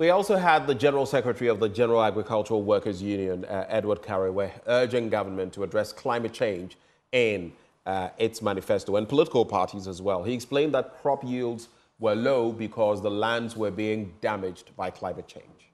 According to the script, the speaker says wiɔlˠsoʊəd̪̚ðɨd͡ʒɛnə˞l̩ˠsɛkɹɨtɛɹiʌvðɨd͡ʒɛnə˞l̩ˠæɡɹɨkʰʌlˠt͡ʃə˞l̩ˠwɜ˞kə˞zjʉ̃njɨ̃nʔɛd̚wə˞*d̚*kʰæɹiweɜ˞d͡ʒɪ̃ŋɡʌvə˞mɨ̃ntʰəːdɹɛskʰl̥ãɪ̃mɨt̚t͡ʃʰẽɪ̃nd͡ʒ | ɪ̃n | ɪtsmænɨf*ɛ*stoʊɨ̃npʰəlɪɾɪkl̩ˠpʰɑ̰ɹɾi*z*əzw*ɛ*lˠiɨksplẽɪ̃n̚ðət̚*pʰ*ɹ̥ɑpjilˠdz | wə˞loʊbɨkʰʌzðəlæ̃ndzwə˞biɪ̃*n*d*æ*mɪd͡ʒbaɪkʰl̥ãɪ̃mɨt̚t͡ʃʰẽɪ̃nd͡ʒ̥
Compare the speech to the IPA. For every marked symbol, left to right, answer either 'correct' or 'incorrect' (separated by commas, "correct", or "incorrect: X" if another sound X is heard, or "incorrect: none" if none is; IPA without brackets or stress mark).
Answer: correct, correct, correct, correct, incorrect: kʰ, incorrect: ŋ, correct